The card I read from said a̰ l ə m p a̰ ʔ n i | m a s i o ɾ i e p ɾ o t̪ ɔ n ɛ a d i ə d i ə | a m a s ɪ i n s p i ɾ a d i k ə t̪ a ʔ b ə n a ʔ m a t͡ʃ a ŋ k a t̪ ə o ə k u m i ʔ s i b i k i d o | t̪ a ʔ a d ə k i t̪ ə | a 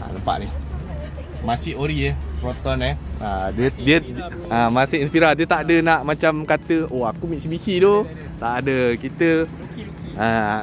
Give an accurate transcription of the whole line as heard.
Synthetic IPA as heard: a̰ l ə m p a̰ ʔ n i | m a s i o ɾ i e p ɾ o t̪ ɔ n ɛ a d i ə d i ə | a m a s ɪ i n s p i ɾ a d i ə t̪ a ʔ d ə n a ʔ m a t͡ʃ a m k a t̪ ə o a k u m i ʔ s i b i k i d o | t̪ a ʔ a d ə k i t̪ ə | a